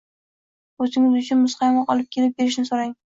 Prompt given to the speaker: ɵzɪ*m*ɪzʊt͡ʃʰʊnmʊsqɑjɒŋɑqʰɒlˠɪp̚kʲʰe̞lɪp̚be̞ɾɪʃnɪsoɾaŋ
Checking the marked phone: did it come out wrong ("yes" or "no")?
yes